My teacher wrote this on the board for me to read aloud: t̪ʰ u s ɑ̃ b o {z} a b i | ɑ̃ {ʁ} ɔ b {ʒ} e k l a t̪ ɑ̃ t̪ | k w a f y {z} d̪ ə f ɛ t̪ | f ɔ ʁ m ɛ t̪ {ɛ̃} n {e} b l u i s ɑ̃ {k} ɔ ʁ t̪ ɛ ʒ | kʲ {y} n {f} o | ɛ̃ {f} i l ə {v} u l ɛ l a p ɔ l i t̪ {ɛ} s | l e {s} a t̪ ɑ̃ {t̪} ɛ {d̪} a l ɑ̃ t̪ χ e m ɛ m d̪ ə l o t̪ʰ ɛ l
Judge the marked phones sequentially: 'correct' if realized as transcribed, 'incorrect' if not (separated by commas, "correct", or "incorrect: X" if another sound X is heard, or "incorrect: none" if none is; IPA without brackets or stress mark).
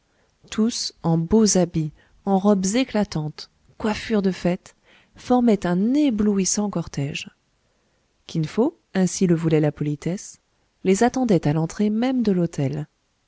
correct, correct, incorrect: z, incorrect: ʁ, correct, correct, correct, incorrect: i, correct, incorrect: s, correct, correct, incorrect: z, incorrect: d̪, incorrect: t̪